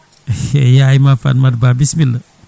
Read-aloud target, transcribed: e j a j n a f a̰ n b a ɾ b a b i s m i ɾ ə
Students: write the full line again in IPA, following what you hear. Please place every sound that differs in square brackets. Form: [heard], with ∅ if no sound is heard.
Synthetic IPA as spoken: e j a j [m] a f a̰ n [m] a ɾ b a b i s m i [l] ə

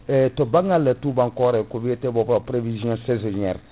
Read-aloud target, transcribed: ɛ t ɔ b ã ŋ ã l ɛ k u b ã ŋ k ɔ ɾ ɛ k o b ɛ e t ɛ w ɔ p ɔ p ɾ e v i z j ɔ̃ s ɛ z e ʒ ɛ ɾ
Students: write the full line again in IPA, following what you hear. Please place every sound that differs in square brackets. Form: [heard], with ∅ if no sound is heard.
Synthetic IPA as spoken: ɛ t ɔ b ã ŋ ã l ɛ [t] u b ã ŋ k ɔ ɾ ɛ k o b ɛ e t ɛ [b] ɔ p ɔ p ɾ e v i z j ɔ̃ s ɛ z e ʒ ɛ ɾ

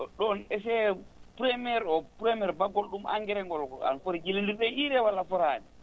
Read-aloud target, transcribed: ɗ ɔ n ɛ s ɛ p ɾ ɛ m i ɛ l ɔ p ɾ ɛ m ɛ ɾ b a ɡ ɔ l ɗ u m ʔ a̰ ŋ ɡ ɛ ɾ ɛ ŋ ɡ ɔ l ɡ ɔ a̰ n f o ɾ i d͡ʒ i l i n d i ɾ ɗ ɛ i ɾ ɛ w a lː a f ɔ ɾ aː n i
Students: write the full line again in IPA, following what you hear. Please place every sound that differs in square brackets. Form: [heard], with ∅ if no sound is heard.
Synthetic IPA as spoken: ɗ ɔ n ɛ s ɛ p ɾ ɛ m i ɛ [ɾ] ɔ p ɾ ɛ m ɛ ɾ b a ɡ ɔ l ɗ u m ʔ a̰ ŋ ɡ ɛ ɾ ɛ ŋ ɡ ɔ l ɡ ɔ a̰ n f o ɾ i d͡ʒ i l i n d i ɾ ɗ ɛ i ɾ ɛ w a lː a f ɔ ɾ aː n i

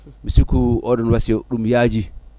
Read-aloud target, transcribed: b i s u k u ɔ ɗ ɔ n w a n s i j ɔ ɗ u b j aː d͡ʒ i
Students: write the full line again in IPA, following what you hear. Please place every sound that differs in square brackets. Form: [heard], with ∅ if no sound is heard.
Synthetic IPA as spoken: [m] i s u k u ɔ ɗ ɔ n w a [∅] s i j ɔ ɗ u [m] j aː d͡ʒ i

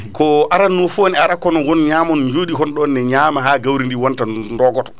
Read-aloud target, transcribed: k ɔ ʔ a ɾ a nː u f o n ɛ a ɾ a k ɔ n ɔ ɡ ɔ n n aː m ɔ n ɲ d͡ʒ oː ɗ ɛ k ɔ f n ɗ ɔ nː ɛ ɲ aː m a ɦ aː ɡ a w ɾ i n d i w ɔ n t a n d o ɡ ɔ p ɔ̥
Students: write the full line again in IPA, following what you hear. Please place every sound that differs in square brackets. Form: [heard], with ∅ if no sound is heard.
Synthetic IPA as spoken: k ɔ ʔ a ɾ a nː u f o n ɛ a ɾ a k ɔ n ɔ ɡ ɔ n [ɲ] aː m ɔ n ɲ d͡ʒ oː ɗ [i] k ɔ [∅] n ɗ ɔ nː ɛ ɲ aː m a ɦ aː ɡ a w ɾ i n d i w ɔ n t a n d [ɔ] ɡ ɔ [t] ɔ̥

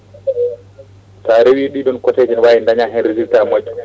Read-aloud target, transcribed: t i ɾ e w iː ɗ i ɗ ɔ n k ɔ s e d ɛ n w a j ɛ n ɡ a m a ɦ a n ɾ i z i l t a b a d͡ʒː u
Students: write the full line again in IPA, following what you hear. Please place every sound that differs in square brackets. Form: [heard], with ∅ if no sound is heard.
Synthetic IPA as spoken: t [a] ɾ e w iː ɗ i ɗ ɔ n k ɔ [t] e [d͡ʒ] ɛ n w a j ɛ n [d] a [ɲ] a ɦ [ɛ] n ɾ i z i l t a [m] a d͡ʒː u

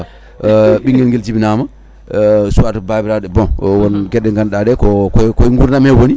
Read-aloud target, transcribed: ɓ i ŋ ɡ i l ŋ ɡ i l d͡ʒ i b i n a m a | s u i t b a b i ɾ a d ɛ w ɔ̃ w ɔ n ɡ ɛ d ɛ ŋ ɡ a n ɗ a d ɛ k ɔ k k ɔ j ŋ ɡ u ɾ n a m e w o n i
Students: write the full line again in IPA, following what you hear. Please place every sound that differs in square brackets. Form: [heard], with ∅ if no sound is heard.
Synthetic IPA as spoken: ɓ i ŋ ɡ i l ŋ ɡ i l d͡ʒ i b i n a m a | s u [a] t b a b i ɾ a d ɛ [b] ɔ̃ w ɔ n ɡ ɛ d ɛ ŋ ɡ a n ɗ a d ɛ k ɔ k k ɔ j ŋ ɡ u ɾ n a m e w o n i

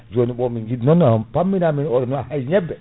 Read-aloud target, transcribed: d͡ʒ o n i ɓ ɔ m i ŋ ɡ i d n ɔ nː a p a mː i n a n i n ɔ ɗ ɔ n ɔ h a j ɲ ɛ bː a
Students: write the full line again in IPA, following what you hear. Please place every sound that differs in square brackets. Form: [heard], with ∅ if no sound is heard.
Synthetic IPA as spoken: d͡ʒ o n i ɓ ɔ m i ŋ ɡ i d n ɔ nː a p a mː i n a [m] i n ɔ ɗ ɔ n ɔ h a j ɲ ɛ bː [ɛ]

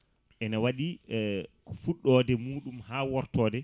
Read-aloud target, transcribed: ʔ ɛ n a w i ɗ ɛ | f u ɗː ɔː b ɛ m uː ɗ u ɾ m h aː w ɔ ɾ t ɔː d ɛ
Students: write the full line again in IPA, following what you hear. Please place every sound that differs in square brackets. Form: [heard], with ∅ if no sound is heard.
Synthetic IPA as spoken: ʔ ɛ n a w [a] ɗ [i] | f u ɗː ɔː [d] ɛ m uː ɗ u [∅] m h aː w ɔ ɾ t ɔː d ɛ

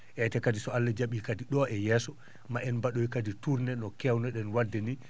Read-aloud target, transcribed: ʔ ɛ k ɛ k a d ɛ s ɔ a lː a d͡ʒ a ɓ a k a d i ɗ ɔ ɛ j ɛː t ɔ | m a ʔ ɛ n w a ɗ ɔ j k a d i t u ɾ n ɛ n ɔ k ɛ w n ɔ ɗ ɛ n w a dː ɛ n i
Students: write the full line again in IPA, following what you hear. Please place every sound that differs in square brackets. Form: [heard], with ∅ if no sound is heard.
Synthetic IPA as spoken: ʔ ɛ [t] ɛ k a d [i] s ɔ a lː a d͡ʒ a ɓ [i] k a d i ɗ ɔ ɛ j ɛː [s] ɔ | m a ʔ ɛ n [b] a ɗ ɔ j k a d i t u ɾ n ɛ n ɔ k ɛ w n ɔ ɗ ɛ n w a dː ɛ n i

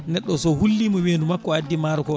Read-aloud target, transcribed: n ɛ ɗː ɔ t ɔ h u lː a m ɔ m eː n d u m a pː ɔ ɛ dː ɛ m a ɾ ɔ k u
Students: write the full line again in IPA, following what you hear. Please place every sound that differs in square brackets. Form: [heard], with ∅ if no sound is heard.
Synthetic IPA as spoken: n ɛ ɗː ɔ [s] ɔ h u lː [i] m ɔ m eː n d u m a [kː] ɔ [a] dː [i] m a ɾ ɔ k [ɔ]

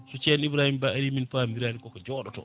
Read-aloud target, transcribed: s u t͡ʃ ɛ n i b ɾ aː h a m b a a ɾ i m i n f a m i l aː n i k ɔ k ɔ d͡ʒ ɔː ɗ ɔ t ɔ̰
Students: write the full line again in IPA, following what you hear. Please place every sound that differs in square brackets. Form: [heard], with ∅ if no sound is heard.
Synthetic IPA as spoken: s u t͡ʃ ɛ n i b ɾ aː h [i] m b a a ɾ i m i n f a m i [ɾ] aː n i k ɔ k ɔ d͡ʒ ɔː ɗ ɔ t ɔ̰

